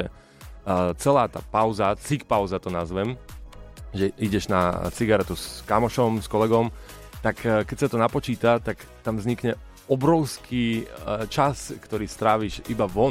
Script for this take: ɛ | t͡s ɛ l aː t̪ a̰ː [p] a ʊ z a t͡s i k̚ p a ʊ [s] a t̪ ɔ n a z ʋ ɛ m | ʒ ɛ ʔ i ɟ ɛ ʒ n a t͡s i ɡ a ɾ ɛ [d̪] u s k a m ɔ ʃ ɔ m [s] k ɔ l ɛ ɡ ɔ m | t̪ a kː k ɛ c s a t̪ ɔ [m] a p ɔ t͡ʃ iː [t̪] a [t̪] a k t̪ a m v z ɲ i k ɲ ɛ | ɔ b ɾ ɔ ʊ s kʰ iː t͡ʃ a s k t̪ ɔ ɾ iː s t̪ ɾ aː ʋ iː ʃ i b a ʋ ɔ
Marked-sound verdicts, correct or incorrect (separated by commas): correct, incorrect, incorrect, correct, incorrect, correct, correct